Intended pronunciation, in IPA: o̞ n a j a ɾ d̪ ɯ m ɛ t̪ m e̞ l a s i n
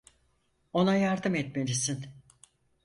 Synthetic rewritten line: o̞ n a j a ɾ d̪ ɯ m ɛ t̪ m e̞ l i s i n

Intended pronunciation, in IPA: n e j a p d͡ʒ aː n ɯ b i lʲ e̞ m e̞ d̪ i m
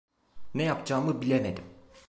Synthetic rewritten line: n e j a p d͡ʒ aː m ɯ b i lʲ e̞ m e̞ d̪ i m

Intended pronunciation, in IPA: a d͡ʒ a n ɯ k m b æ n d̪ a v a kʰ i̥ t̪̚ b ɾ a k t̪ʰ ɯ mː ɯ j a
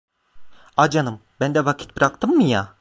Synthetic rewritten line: a d͡ʒ a n ɯ m b æ n d̪ ɛ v a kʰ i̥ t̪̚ b ɾ a k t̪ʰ ɯ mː ɯ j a

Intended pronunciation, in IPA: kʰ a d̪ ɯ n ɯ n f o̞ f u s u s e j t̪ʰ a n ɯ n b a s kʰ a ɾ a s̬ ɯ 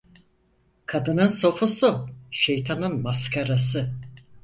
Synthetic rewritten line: kʰ a d̪ ɯ n ɯ n s o̞ f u s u ʃ e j t̪ʰ a n ɯ n m a s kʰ a ɾ a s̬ ɯ

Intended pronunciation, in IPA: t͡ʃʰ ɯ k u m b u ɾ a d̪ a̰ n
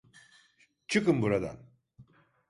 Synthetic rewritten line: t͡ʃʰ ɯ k ɯ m b u ɾ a d̪ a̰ n

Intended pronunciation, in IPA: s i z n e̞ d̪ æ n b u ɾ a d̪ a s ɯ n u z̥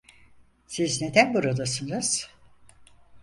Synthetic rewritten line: s i z n e̞ d̪ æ n b u ɾ a d̪ a s ɯ n ɯ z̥

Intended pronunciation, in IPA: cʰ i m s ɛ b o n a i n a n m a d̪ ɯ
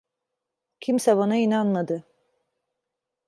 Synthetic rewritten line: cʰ i m s ɛ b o n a i n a n m a d̪ ɯ

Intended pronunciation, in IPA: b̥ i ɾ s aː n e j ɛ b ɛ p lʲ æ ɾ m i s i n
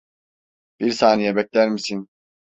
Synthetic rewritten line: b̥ i ɾ s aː n i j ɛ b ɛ c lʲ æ ɾ m i s i n

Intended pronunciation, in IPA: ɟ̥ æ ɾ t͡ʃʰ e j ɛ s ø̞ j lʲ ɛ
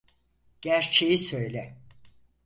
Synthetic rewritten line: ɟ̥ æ ɾ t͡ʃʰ e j i s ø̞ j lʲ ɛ

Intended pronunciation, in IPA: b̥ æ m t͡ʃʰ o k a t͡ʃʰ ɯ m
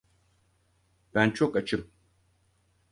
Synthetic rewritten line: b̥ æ n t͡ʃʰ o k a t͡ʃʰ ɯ m

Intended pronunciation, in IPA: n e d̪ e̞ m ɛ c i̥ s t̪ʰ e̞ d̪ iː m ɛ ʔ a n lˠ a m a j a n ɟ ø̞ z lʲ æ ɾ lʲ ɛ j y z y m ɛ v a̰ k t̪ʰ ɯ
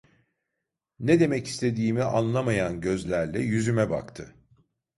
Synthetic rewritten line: n e d̪ e̞ m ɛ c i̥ s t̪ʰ e̞ d̪ iː m i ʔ a n lˠ a m a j a n ɟ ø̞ z lʲ æ ɾ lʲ ɛ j y z y m ɛ b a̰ k t̪ʰ ɯ

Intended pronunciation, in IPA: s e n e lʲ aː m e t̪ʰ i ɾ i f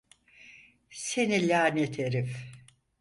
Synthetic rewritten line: s e n i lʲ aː n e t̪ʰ e ɾ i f

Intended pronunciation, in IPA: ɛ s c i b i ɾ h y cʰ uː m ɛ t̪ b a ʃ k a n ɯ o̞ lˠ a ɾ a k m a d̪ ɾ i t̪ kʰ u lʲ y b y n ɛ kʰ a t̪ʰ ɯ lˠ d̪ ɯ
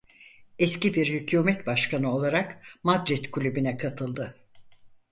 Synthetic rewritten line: ɛ s c i b i ɾ h y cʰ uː m ɛ t̪ b a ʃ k a n ɯ o̞ lˠ a ɾ a k m a d̪ ɾ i t̪ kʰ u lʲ y b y n ɛ kʰ a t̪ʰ ɯ lˠ d̪ ɯ

